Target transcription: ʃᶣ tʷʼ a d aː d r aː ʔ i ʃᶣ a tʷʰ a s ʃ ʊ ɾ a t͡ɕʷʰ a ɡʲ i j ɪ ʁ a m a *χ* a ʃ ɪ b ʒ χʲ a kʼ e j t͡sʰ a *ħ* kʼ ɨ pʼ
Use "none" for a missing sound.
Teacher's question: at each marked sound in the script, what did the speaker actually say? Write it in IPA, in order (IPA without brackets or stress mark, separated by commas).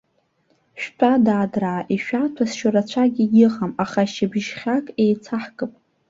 χ, ħ